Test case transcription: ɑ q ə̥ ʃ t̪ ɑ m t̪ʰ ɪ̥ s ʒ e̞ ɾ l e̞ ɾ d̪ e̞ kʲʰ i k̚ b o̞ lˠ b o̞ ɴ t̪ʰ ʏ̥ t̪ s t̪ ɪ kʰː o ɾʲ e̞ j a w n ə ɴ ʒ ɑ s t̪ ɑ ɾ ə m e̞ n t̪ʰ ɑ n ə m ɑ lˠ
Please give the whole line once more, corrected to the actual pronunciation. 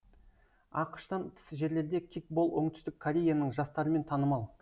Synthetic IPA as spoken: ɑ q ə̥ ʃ t̪ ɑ n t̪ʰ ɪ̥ s ʒ e̞ ɾ l e̞ ɾ d̪ e̞ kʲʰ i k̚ b o̞ lˠ w o̞ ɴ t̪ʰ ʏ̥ s t̪ ɪ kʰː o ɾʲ e̞ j a n ə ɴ ʒ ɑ s t̪ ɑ ɾ ə m e̞ n t̪ʰ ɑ n ə m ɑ lˠ

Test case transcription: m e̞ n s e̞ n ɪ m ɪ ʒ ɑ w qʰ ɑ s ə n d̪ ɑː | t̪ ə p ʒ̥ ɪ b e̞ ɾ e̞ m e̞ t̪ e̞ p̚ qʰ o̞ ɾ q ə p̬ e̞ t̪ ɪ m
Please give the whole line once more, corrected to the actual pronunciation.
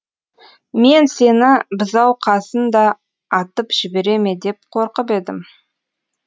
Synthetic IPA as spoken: m e̞ n s e̞ n ɪ b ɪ z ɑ w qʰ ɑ s ə n d̪ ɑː | t̪ ə p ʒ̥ ɪ b e̞ ɾ e̞ m e̞ d̪ e̞ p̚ qʰ o̞ ɾ q ə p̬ e̞ d̪ ɪ m

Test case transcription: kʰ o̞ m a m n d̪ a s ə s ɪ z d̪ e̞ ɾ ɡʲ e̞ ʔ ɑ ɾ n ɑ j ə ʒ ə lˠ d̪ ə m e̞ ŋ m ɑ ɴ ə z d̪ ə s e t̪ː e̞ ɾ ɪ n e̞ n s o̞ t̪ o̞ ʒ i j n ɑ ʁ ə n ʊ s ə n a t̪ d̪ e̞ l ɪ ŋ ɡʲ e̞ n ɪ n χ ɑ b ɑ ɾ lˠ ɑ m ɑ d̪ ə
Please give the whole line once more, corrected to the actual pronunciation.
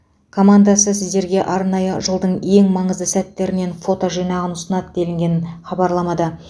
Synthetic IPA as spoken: kʰ o̞ m a n d̪ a s ə s ɪ z d̪ e̞ ɾ ɡʲ e̞ ʔ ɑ ɾ n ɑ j ə ʒ ə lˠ d̪ ə ɴ e̞ ŋ m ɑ ɴ ə z d̪ ə s æ t̪ː e̞ ɾ ɪ n e̞ n f o̞ t̪ o̞ ʒ i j n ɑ ʁ ə n ʊ s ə n ɑ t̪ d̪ e̞ l ɪ ŋ ɡʲ e̞ n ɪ n χ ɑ b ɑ ɾ lˠ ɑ m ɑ d̪ ə

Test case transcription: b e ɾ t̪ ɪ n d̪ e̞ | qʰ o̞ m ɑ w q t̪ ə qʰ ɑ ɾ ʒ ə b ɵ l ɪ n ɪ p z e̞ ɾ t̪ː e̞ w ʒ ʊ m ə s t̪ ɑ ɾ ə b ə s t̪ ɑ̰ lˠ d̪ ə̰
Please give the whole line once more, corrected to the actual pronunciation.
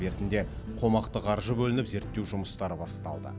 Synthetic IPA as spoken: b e ɾ t̪ ɪ n d̪ e̞ | qʰ o̞ m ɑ q t̪ ə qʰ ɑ ɾ ʒ ə b ɵ l ɪ n ɪ p z e̞ ɾ t̪ː e̞ w ʒ ʊ m ə s t̪ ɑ ɾ ə b ɑ s t̪ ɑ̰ lˠ d̪ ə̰

